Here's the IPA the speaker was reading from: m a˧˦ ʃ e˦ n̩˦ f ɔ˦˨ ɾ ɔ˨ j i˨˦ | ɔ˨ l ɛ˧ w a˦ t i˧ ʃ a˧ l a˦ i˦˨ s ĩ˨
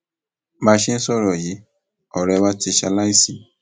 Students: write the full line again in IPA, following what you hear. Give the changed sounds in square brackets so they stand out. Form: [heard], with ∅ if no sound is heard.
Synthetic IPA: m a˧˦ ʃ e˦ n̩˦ [s] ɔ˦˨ ɾ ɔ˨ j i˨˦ | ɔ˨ [ɾ] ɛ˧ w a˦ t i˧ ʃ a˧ l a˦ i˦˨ s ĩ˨